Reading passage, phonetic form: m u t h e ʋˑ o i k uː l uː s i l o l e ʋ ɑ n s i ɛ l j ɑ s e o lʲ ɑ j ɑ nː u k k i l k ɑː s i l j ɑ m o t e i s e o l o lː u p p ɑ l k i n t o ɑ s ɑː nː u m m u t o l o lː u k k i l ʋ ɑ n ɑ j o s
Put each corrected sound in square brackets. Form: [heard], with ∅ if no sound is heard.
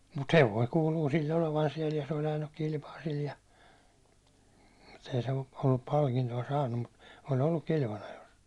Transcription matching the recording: m u t h e ʋˑ o i k uː l uː s i [lː] o l e ʋ ɑ n s i ɛ l j ɑ s e o lʲ ɑ j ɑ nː u k k i l [p] ɑː s i l j ɑ m [u] t e i s e o l o lː u p p ɑ l k i n t o ɑ s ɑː nː u m m u t o l o lː u k k i l ʋ ɑ n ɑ j o s